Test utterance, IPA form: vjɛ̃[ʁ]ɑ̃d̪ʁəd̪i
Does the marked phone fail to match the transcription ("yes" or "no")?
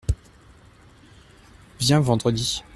yes